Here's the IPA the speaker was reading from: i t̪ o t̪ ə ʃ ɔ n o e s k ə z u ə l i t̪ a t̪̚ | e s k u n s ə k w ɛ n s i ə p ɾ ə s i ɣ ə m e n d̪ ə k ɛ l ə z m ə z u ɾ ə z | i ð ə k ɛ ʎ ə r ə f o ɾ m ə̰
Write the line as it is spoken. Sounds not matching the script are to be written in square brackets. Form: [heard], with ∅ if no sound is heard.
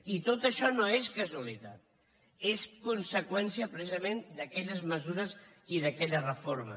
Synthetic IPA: i t̪ o t̪ ə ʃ ɔ n o e s k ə z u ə l i t̪ a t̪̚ | e s k u n s ə k w ɛ n s i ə p ɾ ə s i [z] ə m e n d̪ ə k ɛ [ʎ] ə z m ə z u ɾ ə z | i ð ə k ɛ ʎ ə r ə f o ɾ m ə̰

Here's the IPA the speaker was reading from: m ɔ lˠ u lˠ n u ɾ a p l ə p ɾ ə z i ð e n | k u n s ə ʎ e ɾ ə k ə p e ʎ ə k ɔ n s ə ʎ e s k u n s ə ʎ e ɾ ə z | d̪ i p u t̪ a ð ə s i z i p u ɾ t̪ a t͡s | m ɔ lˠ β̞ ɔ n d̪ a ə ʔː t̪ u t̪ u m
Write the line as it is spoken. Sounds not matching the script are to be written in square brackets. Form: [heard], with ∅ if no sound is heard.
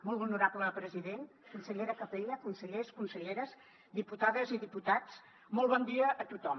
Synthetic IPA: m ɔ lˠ u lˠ n u ɾ a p l ə p ɾ ə z i ð e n | k u n s ə ʎ e ɾ ə k ə p e ʎ ə k [u] n s ə ʎ e s k u n s ə ʎ e ɾ ə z | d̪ i p u t̪ a ð ə [z] i [ð] i p u [∅] t̪ a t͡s | m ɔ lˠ β̞ ɔ n d̪ [i] ə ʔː t̪ u t̪ [ɔ] m

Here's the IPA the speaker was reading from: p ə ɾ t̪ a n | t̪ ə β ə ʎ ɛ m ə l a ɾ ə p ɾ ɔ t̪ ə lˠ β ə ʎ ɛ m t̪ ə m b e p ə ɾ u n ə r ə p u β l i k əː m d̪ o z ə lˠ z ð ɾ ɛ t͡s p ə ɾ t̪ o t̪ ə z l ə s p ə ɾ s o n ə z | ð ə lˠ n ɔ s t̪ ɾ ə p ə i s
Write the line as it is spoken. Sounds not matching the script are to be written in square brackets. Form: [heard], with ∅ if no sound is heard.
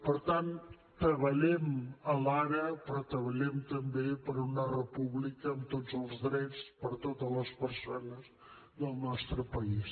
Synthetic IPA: p ə ɾ t̪ a n | t̪ ə β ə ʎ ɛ m ə l a ɾ ə p ɾ ɔ t̪ ə [∅] β ə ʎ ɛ m t̪ ə m b e p ə ɾ u n ə r ə p u β l i k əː m [t̪] o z ə lˠ z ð ɾ ɛ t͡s p ə ɾ t̪ o t̪ ə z l ə s p ə ɾ s o n ə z | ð ə lˠ n ɔ s t̪ ɾ ə p ə i s

